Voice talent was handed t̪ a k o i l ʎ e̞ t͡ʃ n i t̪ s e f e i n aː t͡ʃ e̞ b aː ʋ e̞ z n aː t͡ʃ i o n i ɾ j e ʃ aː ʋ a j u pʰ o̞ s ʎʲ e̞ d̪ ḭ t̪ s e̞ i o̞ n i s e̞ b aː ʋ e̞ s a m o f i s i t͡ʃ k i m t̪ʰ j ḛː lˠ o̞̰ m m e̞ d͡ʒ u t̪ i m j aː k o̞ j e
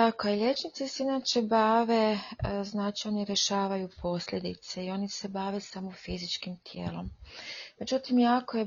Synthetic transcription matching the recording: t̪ a k o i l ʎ e̞ t͡ʃ n i t̪ s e s e i n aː t͡ʃ e̞ b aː ʋ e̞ z n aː t͡ʃ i o n i ɾ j e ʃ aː ʋ a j u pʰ o̞ s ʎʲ e̞ d̪ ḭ t̪ s e̞ i o̞ n i s e̞ b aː ʋ e̞ s a m o f i z i t͡ʃ k i m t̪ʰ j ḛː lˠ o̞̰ m m e̞ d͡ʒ u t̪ i m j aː k o̞ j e